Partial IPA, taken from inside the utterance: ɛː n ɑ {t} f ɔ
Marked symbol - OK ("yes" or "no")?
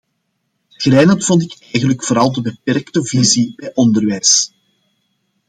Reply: yes